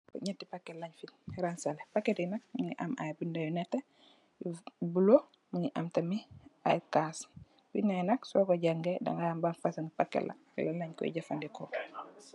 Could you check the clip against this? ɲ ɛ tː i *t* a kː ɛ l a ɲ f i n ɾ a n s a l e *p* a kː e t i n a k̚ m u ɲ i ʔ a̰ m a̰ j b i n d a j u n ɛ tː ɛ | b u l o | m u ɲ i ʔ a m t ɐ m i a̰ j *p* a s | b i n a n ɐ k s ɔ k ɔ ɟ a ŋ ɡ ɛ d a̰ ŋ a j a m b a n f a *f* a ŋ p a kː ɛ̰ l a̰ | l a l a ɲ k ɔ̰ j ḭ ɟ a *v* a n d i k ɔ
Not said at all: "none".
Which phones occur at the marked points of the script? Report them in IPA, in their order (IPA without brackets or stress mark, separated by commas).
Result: p, p, k, s, f